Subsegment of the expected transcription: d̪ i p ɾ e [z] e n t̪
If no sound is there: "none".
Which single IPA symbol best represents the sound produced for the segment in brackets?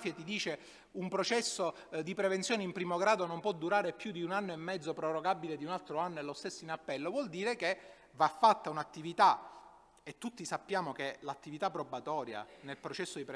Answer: v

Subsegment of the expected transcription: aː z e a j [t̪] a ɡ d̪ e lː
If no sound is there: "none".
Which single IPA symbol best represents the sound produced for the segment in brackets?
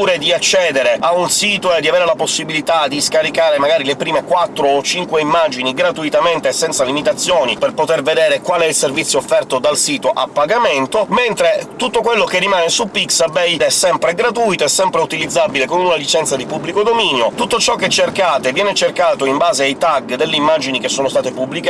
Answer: t̪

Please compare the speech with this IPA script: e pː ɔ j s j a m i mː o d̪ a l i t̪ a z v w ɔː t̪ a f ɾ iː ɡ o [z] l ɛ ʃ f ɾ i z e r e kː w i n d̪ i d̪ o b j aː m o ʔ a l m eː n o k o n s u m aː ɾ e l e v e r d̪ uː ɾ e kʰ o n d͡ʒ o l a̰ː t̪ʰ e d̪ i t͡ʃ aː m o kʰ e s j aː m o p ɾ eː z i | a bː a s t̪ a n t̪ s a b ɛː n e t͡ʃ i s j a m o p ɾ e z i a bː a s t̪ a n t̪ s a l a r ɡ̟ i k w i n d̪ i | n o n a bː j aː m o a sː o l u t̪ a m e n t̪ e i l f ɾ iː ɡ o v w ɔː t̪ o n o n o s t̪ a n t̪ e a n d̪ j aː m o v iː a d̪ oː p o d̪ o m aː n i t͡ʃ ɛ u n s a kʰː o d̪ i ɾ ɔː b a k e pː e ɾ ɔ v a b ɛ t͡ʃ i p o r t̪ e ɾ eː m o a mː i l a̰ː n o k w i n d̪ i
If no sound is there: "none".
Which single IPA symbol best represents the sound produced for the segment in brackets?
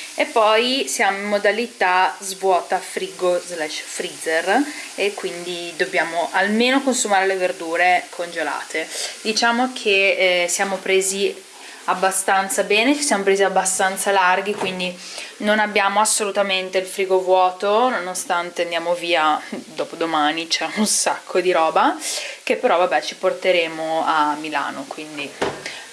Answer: z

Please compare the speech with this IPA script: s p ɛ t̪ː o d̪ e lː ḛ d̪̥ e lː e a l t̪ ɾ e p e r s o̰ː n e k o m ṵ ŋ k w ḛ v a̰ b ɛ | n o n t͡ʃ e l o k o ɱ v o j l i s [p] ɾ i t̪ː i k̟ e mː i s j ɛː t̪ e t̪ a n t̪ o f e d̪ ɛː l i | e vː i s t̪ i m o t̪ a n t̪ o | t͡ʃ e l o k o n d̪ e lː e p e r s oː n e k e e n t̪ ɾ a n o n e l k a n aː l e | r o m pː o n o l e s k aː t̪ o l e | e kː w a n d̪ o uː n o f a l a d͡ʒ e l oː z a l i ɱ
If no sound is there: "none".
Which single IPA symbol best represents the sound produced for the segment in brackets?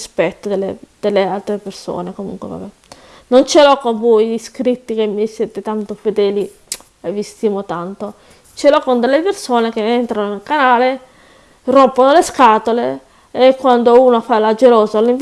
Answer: k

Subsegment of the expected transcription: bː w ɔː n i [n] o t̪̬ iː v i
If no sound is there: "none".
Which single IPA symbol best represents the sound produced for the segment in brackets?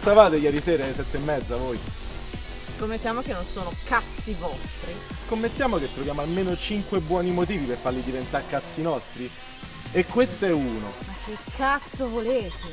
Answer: m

